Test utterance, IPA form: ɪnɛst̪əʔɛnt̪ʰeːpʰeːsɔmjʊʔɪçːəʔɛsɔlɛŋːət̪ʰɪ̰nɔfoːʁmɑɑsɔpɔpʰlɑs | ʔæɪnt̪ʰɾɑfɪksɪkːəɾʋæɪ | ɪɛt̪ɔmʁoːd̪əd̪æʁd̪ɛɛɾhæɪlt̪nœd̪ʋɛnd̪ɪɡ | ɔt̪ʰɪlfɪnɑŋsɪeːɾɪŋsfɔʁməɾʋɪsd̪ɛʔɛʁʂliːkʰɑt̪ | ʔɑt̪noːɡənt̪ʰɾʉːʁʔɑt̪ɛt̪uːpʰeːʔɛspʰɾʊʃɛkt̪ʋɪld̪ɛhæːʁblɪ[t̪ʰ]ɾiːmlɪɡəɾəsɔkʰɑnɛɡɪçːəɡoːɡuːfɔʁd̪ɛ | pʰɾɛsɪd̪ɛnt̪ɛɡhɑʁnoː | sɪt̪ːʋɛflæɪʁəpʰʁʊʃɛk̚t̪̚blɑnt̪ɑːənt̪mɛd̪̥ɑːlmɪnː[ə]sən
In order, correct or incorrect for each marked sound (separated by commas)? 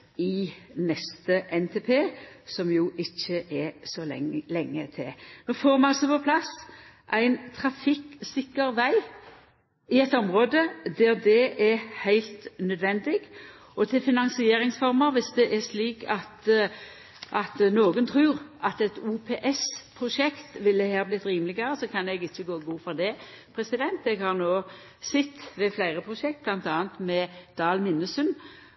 incorrect, correct